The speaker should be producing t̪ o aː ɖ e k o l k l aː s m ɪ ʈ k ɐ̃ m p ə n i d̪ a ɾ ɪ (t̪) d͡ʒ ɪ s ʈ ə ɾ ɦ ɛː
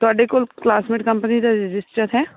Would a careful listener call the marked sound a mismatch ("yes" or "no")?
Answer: yes